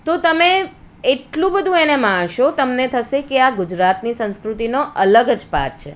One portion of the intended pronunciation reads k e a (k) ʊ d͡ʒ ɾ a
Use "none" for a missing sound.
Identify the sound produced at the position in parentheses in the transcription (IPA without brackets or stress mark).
ɡ